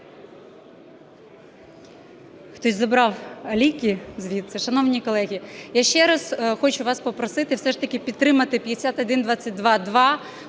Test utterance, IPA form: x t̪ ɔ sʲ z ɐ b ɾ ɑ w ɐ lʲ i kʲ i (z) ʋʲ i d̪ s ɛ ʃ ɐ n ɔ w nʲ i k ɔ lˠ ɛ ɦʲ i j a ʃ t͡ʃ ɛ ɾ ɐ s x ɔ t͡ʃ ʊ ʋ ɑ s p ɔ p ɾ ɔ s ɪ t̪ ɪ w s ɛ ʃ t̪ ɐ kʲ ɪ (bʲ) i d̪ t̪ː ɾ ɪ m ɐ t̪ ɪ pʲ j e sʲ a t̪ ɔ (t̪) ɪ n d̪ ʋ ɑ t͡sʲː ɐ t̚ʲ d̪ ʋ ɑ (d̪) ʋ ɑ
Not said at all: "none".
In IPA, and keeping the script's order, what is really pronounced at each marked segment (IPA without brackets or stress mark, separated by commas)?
z, pʲ, d̪, d̪